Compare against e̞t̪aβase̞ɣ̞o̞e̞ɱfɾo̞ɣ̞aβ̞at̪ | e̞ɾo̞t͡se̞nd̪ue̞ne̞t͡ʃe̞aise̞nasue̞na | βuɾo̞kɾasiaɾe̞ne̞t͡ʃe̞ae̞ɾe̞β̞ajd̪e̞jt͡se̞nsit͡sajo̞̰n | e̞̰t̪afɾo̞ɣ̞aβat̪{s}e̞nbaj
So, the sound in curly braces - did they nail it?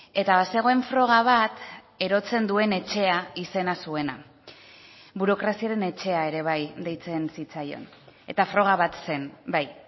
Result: yes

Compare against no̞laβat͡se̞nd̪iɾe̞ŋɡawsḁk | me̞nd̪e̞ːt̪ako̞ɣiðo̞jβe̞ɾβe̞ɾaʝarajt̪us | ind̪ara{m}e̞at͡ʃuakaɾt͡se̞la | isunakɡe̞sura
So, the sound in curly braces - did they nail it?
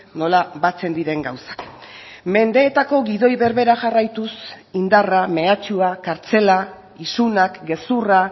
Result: yes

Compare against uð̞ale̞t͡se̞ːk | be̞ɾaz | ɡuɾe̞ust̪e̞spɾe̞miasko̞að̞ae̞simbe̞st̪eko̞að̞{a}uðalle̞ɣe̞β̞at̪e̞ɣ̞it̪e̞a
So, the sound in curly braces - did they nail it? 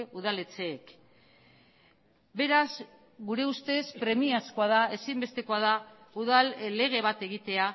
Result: yes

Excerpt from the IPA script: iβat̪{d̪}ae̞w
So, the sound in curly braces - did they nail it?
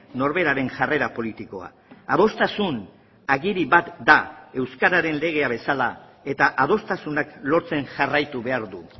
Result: yes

